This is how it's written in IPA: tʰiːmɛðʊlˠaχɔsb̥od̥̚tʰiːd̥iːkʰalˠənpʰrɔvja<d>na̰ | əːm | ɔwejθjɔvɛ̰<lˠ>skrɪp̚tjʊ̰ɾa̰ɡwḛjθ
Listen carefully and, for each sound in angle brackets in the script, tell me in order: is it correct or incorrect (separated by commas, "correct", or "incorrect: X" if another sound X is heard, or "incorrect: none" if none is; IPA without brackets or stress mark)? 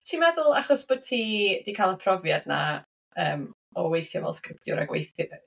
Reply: correct, correct